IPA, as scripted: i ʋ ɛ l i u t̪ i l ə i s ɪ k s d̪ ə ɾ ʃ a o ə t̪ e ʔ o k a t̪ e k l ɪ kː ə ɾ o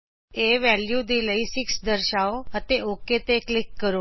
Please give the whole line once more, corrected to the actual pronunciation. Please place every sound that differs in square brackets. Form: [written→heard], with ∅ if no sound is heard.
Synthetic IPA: [i→e] ʋ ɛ l [i→j] u [t̪→d̪] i l ə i s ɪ k s d̪ ə ɾ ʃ a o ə t̪ e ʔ o k [a→e] t̪ e k l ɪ kː ə ɾ o